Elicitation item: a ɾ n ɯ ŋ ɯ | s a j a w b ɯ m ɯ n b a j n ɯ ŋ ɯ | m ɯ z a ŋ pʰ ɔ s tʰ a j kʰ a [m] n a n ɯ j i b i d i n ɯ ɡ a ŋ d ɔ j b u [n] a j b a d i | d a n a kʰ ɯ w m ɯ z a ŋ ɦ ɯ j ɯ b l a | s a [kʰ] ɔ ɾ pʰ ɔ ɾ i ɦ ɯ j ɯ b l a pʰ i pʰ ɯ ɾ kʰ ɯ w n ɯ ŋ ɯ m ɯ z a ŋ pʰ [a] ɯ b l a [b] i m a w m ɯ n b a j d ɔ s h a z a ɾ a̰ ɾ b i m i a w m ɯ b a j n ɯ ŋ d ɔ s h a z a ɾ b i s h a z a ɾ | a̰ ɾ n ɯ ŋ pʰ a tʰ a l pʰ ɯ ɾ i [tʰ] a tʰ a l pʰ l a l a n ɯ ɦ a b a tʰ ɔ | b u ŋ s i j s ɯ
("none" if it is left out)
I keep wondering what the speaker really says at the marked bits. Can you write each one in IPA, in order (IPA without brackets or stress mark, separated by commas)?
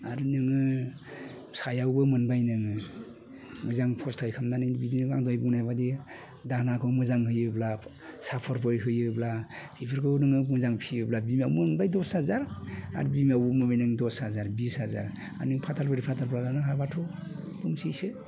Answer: m, n, pʰ, i, b, pʰ